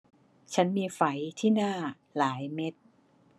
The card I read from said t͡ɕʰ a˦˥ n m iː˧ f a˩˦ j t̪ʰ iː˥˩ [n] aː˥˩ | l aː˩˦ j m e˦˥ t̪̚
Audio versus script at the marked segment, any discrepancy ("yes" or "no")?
no